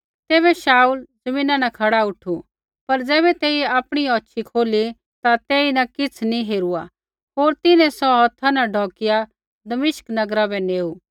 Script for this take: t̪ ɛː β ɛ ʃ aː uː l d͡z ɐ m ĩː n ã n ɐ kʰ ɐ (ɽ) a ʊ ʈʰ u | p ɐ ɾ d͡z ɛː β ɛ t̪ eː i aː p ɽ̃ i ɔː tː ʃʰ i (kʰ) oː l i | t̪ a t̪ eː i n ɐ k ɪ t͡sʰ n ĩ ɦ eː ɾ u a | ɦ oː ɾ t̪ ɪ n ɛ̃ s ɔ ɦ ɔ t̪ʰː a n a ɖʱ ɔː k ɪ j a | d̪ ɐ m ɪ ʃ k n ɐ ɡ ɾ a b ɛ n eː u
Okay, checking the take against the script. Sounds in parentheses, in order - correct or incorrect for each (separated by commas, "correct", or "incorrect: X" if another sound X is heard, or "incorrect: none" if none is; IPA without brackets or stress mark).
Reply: correct, correct